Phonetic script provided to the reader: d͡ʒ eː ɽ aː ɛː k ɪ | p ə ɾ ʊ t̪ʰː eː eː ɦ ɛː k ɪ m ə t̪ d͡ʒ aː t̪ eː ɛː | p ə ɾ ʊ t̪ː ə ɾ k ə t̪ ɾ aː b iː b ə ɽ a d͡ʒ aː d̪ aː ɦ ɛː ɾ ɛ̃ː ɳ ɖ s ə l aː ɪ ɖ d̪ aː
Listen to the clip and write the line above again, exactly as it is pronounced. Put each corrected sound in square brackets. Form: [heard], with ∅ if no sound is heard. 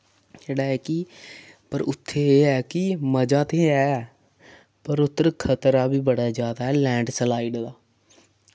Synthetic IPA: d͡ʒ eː ɽ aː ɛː k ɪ | p ə ɾ ʊ t̪ʰː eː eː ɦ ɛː k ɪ m ə [∅] d͡ʒ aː t̪ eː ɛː | p ə ɾ ʊ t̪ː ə ɾ [kʰ] ə t̪ ɾ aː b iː b ə ɽ a d͡ʒ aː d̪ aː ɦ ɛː [l] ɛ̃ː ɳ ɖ s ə l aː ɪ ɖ d̪ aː